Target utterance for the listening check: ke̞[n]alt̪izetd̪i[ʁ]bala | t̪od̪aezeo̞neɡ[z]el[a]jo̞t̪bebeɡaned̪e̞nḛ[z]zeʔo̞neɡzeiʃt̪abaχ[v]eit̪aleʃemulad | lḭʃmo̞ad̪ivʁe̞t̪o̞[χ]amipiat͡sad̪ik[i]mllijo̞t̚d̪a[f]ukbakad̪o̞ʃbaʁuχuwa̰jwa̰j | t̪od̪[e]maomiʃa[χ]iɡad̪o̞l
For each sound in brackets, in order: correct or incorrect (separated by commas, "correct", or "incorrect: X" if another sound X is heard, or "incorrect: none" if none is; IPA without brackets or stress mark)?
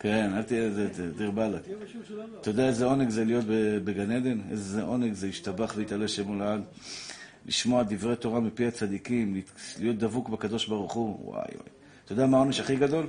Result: correct, correct, correct, incorrect: i, correct, correct, incorrect: ʁ, correct, incorrect: v, incorrect: a, correct